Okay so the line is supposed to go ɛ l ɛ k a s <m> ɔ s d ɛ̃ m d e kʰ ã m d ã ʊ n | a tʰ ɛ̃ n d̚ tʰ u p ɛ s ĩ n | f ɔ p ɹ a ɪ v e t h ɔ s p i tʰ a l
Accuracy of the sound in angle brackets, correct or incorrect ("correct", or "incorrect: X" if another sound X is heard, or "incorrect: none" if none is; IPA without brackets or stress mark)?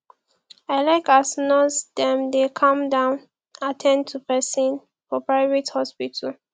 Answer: incorrect: n